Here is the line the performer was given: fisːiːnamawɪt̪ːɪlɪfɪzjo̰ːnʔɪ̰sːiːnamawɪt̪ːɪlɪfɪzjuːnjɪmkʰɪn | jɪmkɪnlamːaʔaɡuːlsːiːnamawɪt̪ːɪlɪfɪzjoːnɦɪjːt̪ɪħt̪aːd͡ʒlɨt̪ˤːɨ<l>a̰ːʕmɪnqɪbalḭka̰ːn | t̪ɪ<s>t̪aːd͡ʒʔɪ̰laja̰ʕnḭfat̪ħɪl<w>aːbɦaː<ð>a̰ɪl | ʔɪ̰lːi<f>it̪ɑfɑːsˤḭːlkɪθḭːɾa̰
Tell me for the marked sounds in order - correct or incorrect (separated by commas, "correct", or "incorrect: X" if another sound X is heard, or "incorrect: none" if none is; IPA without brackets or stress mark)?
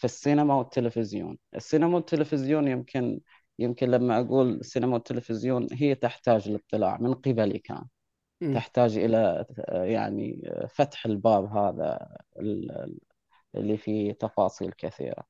correct, incorrect: ħ, incorrect: b, correct, correct